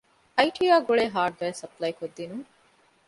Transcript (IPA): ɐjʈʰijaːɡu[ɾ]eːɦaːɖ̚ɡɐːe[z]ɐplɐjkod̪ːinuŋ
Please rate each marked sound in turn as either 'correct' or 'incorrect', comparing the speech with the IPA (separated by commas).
incorrect, incorrect